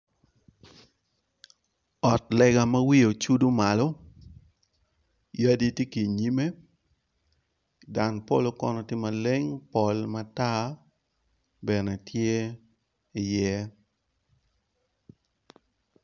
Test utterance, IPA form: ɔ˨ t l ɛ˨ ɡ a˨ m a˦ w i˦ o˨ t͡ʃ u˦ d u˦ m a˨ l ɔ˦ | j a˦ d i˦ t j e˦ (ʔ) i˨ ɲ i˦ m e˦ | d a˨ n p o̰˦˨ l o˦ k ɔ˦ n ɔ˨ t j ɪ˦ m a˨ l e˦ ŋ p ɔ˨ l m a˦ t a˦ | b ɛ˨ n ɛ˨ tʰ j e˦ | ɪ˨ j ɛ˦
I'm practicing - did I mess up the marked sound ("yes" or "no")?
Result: yes